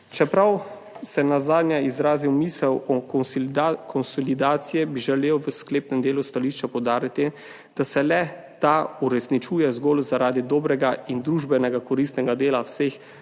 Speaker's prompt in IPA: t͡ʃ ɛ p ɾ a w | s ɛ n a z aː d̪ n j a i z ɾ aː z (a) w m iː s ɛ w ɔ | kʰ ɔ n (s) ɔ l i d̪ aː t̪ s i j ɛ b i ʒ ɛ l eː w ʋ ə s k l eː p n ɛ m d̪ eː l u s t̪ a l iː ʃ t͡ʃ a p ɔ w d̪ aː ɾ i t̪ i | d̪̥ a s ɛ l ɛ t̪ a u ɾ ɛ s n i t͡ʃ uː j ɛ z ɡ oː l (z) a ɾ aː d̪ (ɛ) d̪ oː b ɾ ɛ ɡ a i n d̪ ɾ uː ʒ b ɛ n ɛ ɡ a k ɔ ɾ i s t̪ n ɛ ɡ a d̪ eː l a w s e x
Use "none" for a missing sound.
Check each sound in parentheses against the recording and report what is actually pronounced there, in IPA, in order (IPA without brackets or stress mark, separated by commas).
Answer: i, s, z, i